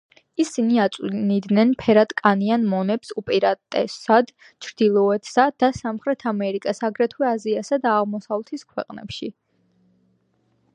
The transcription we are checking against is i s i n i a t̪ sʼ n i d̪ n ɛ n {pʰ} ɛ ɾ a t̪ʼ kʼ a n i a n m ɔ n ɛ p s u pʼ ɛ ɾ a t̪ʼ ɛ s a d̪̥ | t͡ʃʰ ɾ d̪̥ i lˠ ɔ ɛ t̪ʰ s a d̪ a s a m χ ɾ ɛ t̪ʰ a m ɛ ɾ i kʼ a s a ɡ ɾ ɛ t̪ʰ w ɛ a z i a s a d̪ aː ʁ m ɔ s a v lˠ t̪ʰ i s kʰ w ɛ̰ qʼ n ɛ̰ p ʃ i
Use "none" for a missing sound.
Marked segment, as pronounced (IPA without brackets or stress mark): pʰ